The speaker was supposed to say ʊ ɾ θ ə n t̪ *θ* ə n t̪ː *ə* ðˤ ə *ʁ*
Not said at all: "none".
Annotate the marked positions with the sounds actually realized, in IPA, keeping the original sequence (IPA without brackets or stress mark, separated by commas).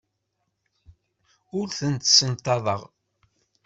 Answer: s, ɑ, ʁ